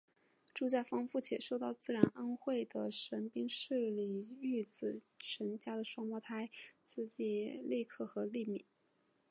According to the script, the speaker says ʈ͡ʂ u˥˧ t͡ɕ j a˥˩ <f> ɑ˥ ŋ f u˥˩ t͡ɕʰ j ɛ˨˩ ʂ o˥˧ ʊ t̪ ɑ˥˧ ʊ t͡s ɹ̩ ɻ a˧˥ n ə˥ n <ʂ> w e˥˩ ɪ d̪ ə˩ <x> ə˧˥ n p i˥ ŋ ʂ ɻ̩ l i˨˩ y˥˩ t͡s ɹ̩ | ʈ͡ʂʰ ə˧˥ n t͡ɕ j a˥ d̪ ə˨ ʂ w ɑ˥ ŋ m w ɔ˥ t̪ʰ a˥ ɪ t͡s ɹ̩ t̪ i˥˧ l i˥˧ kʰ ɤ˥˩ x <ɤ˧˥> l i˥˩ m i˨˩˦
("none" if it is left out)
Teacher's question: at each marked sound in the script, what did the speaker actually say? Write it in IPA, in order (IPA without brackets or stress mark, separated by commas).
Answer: f, x, ʂ, ɤ˧˥